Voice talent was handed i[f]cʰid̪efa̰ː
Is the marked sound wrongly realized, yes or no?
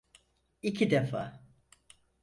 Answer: yes